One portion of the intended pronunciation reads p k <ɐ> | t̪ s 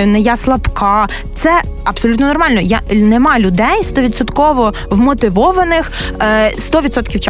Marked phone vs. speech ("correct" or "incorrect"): incorrect